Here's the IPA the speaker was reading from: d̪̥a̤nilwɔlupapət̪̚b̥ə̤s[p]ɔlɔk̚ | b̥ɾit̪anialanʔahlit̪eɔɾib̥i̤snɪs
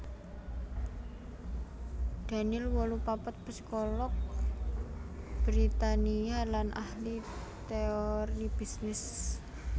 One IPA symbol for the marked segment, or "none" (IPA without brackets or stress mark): k